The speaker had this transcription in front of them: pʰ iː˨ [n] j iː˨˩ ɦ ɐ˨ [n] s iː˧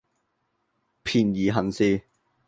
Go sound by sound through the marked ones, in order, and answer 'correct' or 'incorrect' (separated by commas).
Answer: correct, correct